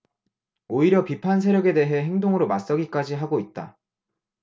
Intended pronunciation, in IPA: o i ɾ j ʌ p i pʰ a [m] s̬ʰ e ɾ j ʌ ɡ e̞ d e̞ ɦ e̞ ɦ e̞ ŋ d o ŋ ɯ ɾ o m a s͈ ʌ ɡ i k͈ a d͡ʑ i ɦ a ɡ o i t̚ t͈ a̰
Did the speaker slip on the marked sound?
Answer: yes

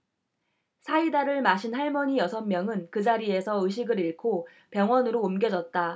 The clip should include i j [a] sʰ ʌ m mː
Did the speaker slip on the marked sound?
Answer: yes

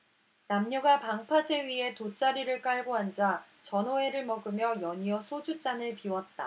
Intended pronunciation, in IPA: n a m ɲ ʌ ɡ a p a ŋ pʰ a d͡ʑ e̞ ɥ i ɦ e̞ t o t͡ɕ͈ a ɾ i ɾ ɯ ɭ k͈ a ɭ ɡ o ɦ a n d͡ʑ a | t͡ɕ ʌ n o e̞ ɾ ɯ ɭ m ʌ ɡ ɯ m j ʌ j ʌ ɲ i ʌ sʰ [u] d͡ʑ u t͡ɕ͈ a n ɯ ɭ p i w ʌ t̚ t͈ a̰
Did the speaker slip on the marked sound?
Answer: yes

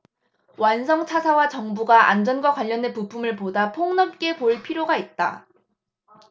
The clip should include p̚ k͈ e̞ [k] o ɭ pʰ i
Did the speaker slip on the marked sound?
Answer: yes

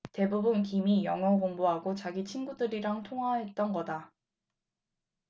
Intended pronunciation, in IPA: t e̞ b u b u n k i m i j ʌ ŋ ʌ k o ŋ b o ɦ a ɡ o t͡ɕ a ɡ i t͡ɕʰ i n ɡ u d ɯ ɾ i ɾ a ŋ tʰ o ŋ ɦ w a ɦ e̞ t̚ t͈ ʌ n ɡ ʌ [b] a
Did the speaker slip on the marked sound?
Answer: yes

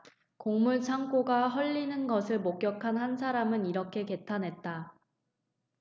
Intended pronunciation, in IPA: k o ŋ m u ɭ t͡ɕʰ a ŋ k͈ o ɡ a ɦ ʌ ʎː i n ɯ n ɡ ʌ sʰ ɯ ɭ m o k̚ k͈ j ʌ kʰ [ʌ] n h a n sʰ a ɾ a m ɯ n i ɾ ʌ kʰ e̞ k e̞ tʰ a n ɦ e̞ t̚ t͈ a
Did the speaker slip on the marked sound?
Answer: yes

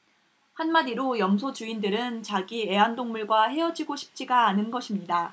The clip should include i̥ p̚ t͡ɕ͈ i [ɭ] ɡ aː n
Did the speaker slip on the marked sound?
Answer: yes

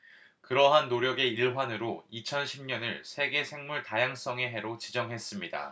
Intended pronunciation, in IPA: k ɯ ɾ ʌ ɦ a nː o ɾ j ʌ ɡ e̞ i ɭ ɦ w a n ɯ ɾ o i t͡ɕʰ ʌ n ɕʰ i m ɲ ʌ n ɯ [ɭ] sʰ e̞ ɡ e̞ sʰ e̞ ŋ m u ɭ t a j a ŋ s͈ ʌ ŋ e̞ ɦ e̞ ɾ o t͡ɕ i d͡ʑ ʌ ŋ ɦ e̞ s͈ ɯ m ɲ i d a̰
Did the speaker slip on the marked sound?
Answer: no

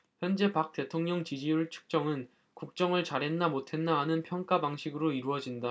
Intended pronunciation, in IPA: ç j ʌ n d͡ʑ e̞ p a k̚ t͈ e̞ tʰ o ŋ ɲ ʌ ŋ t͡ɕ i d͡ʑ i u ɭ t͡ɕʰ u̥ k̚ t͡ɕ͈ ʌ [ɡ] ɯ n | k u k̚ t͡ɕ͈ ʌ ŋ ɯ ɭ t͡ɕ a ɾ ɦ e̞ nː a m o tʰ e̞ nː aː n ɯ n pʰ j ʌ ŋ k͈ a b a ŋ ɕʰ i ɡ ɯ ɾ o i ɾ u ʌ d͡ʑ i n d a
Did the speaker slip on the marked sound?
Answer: yes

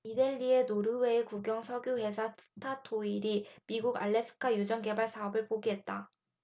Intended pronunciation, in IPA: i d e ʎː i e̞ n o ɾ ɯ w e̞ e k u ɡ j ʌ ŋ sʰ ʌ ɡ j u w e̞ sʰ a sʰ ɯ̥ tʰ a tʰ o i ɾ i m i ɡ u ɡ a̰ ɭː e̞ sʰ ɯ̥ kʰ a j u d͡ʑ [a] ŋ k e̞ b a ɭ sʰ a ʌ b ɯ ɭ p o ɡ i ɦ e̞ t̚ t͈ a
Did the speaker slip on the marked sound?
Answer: yes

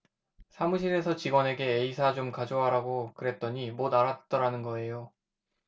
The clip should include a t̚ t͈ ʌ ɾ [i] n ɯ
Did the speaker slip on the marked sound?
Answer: yes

